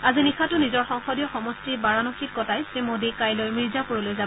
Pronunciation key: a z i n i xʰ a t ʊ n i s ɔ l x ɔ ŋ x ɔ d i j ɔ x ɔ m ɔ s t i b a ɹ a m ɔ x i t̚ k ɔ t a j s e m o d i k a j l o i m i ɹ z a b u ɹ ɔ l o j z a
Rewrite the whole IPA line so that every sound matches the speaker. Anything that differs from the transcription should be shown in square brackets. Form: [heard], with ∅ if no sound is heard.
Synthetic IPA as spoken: a z i n i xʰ a t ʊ n i [z] ɔ [ɹ] x ɔ ŋ x ɔ d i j ɔ x ɔ m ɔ s t i b a ɹ a [n] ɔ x i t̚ k ɔ t a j s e m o d i k a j l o [j] m i ɹ z a [p] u ɹ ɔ l o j z a